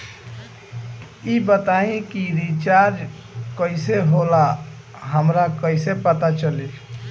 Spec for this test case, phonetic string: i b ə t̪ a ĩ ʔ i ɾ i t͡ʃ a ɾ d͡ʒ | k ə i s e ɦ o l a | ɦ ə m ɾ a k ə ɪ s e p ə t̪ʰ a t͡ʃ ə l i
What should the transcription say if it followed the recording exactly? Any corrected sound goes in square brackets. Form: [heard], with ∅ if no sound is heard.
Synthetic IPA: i b ə t̪ a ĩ [k] i ɾ i t͡ʃ a ɾ d͡ʒ | k ə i s e ɦ o l a | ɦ ə m ɾ a k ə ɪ s e p ə [t̪] a t͡ʃ ə l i